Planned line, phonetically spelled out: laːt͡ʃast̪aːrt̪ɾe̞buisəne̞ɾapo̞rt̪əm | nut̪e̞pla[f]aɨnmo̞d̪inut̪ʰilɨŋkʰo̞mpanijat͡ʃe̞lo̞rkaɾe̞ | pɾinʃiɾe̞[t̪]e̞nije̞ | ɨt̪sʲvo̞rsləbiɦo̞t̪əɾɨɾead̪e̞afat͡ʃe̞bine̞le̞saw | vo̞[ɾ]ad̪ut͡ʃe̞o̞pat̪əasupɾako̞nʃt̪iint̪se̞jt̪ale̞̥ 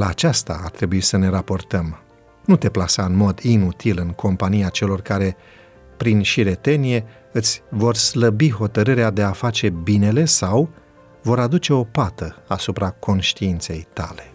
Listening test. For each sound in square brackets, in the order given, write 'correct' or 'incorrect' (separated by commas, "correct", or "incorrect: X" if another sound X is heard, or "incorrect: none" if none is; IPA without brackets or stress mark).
incorrect: s, correct, correct